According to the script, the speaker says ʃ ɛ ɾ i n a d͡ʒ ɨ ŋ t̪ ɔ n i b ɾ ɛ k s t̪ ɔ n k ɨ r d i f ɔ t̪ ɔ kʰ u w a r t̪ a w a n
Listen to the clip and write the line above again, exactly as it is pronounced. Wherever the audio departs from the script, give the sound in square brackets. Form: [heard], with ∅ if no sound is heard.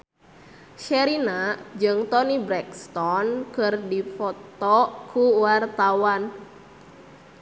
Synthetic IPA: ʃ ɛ ɾ i n a d͡ʒ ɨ ŋ t̪ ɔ n i b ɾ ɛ k s t̪ ɔ n k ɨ r d i f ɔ t̪ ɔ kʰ u w a r t̪ a w a n